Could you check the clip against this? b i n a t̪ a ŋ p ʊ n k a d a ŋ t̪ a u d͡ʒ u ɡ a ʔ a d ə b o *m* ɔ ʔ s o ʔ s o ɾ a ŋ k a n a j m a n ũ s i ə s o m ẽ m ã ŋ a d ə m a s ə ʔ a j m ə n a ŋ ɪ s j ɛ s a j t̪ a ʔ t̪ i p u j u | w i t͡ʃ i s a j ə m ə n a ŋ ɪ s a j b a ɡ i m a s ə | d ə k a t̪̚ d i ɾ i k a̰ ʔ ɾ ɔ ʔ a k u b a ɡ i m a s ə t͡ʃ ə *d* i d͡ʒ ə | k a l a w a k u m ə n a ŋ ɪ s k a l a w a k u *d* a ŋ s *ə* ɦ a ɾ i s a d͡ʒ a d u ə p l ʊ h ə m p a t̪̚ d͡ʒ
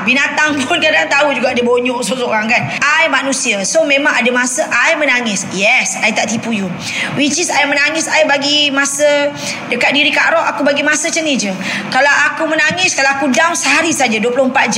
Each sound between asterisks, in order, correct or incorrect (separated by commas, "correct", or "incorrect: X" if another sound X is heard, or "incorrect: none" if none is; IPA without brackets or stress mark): incorrect: ɲ, incorrect: n, correct, correct